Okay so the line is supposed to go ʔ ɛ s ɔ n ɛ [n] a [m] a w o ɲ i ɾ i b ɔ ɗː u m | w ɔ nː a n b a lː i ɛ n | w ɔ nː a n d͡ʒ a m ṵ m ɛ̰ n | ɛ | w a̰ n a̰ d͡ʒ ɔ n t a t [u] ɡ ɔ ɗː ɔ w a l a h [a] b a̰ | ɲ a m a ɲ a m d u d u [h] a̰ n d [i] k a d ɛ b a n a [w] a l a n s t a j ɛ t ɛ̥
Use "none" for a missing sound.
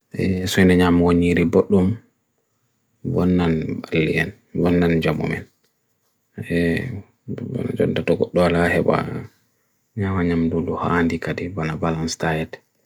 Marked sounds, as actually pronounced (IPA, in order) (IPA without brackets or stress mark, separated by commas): ɲ, m, ɔ, ɛ, h, i, b